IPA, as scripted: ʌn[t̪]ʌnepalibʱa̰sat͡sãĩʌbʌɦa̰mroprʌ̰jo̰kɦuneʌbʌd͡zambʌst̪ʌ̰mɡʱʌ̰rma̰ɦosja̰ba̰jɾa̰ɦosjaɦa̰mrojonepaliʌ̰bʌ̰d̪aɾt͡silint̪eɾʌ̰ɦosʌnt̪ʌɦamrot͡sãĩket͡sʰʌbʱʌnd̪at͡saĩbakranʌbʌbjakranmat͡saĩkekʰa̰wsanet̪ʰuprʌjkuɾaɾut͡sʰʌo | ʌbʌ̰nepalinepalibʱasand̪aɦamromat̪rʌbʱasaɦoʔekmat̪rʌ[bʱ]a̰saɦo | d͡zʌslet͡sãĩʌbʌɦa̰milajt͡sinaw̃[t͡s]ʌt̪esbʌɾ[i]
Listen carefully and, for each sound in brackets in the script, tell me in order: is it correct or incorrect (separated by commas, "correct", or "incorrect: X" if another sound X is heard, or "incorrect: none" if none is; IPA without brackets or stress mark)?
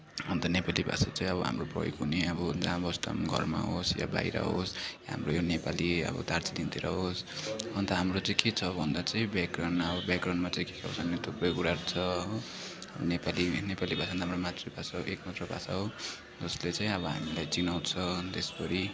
correct, correct, incorrect: t͡sʰ, correct